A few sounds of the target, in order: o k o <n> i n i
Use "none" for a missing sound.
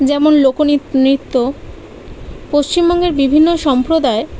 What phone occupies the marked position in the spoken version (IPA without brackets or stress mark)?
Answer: n